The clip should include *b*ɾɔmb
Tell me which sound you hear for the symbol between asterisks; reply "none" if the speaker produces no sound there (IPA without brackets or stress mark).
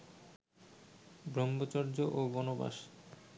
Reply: b